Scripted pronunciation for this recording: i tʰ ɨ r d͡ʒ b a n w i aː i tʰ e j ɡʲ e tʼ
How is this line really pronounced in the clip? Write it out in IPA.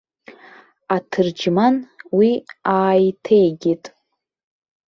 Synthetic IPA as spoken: a tʰ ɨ r d͡ʒ m a n w i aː j tʰ e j ɡʲ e tʼ